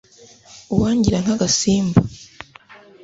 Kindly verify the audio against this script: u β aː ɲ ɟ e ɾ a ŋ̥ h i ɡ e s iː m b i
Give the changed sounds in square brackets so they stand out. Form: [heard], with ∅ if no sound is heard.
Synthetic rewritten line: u [w] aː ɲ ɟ [i] ɾ a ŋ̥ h [a] ɡ [a] s iː m b [a]